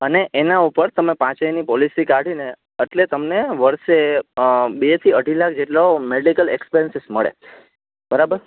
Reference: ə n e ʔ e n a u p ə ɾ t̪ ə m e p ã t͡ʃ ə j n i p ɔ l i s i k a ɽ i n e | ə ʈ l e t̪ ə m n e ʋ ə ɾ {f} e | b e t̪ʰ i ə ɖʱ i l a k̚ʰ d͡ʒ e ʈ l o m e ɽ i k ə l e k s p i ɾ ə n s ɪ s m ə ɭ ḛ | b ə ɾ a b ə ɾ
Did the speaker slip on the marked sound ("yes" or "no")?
yes